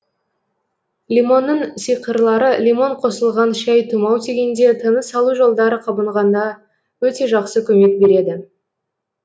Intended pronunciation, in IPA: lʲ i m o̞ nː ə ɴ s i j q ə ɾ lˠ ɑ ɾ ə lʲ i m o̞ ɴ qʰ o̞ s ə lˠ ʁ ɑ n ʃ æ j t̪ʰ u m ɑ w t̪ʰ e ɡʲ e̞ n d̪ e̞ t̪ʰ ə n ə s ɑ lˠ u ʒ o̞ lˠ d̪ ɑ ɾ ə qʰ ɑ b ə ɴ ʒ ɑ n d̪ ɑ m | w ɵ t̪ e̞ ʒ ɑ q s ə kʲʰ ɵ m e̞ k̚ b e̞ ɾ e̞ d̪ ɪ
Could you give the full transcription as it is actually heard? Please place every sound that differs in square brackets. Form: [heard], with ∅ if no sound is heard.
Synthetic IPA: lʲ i m o̞ nː ə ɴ s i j q ə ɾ lˠ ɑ ɾ ə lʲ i m o̞ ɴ qʰ o̞ s ə lˠ ʁ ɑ n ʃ æ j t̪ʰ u m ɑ w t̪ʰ e ɡʲ e̞ n d̪ e̞ t̪ʰ ə n ə s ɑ lˠ u ʒ o̞ lˠ d̪ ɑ ɾ ə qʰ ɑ b ə ɴ [ʁ] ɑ n d̪ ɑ [∅] | w ɵ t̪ e̞ ʒ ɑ q s ə kʲʰ ɵ m e̞ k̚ b e̞ ɾ e̞ d̪ ɪ